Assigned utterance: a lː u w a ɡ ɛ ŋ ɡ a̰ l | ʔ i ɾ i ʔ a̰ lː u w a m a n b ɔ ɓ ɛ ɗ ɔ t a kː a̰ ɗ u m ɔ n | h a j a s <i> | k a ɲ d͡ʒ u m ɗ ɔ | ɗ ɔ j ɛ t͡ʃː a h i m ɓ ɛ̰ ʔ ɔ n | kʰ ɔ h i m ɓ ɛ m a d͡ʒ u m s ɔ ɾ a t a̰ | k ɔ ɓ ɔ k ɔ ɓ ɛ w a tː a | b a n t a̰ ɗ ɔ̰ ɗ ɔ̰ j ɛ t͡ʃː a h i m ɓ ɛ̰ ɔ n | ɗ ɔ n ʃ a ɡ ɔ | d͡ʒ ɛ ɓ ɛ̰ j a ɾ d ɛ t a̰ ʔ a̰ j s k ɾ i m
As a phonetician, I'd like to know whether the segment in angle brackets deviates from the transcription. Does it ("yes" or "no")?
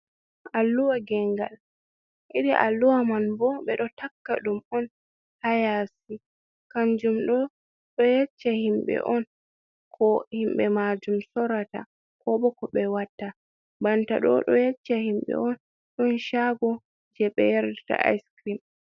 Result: no